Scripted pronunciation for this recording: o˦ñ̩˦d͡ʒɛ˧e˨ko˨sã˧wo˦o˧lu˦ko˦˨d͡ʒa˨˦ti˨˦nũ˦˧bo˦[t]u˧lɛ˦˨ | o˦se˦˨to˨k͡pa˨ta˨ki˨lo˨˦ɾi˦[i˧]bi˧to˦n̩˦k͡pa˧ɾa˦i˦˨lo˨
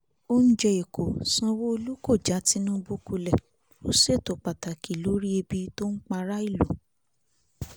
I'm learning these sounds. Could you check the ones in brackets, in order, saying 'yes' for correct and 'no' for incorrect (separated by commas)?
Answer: no, no